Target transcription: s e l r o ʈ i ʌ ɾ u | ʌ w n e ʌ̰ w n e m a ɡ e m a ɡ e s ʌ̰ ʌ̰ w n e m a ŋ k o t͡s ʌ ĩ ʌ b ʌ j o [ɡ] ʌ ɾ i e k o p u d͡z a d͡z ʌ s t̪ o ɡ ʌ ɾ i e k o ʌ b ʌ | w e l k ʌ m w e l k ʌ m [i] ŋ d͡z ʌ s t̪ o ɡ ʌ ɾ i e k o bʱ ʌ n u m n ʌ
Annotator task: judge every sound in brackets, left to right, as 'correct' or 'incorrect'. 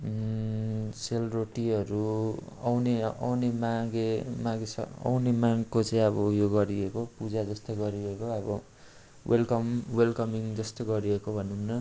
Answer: correct, correct

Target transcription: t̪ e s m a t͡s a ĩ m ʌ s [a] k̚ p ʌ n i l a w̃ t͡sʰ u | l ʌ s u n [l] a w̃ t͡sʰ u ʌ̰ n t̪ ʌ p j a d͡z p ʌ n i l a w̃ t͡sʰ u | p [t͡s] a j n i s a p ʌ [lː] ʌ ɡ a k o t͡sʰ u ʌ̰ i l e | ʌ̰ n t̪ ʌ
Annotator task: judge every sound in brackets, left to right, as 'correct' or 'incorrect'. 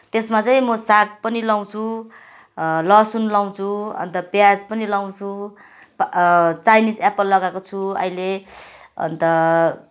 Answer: correct, correct, correct, correct

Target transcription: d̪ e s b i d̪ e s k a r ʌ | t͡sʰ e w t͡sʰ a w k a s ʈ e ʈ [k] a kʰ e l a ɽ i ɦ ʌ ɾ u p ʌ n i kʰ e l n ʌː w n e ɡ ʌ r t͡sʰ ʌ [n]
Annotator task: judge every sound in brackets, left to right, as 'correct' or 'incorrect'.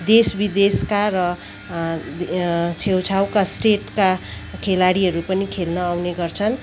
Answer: correct, correct

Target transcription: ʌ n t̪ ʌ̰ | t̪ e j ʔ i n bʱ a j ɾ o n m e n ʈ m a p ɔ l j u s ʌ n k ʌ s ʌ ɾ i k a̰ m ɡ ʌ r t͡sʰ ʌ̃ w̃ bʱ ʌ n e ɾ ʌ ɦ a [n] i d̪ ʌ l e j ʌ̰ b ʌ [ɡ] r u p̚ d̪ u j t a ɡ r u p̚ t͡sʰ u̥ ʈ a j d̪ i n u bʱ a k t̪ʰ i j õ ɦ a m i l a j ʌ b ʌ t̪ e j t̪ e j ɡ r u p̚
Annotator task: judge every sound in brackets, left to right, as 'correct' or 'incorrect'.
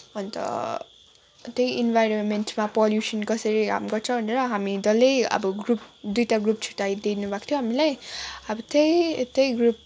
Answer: incorrect, correct

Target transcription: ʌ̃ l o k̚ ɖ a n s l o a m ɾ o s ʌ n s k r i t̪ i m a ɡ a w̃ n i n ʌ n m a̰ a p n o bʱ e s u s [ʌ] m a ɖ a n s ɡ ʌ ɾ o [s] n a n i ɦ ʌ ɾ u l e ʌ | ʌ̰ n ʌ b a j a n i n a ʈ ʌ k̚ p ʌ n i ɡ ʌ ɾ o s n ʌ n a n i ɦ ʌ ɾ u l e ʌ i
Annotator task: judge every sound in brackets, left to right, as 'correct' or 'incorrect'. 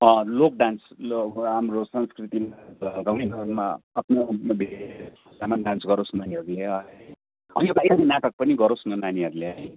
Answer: incorrect, correct

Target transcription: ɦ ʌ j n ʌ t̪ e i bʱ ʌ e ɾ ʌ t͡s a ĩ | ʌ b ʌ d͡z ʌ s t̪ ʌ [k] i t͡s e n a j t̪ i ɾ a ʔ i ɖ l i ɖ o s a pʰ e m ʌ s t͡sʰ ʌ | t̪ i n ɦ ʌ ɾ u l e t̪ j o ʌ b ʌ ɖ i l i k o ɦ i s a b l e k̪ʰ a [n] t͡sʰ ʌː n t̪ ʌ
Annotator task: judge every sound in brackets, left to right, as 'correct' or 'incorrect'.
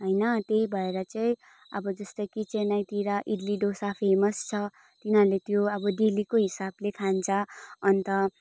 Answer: correct, correct

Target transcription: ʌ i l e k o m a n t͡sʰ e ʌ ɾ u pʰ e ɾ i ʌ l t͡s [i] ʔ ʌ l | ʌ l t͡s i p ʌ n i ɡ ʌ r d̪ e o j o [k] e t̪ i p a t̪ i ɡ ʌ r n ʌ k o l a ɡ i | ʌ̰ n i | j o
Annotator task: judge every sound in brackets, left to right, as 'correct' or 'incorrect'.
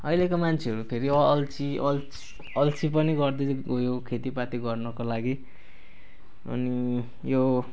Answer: correct, incorrect

